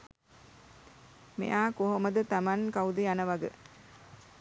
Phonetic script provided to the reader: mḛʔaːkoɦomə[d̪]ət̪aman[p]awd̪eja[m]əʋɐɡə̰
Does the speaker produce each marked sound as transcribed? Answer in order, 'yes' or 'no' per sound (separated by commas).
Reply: yes, no, no